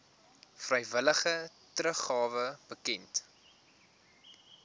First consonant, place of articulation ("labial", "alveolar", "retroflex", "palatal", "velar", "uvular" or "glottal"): labial